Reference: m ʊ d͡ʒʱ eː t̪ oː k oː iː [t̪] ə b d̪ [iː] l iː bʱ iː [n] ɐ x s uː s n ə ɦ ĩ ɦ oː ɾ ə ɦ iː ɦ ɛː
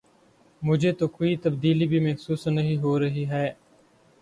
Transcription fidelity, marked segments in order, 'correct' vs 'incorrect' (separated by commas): correct, correct, incorrect